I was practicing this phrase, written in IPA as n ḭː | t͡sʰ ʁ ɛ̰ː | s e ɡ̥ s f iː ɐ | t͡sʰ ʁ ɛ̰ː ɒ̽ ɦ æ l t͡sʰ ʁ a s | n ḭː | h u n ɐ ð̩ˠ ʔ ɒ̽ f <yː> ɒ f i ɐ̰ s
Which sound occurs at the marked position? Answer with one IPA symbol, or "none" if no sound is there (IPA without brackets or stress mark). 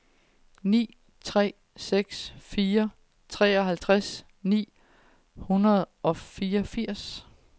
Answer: iː